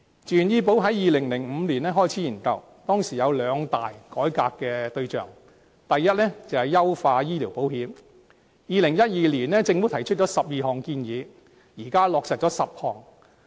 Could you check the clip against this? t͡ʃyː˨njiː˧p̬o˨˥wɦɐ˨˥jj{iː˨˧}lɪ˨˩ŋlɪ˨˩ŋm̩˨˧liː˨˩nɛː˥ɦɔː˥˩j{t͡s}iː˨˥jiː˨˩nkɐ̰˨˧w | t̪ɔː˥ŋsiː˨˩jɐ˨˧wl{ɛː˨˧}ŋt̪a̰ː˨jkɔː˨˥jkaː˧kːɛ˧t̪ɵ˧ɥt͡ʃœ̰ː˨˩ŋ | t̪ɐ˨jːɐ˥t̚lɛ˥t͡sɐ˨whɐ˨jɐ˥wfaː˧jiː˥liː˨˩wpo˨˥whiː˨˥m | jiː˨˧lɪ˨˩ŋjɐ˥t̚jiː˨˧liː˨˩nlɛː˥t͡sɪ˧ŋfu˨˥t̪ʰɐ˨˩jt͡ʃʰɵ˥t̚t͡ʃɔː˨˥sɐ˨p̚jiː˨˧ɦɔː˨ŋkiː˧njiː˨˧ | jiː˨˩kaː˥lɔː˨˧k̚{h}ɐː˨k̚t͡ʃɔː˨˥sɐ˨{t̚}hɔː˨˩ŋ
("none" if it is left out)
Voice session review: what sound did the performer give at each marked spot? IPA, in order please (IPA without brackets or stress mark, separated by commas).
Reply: iː˨˧, t͡sʰ, œː˨˧, s, p̚